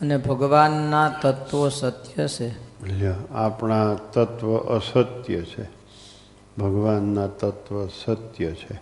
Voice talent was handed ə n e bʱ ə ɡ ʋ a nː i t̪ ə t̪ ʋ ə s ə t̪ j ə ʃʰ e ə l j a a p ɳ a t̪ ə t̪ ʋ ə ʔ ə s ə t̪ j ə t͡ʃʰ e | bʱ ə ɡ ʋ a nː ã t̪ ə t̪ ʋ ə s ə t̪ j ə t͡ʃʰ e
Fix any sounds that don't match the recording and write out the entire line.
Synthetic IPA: ə n e bʱ ə ɡ ʋ a nː a t̪ ə t̪ ʋ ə s ə t̪ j ə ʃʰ e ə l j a a p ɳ a t̪ ə t̪ ʋ ə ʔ ə s ə t̪ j ə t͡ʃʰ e | bʱ ə ɡ ʋ a nː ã t̪ ə t̪ ʋ ə s ə t̪ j ə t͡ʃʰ e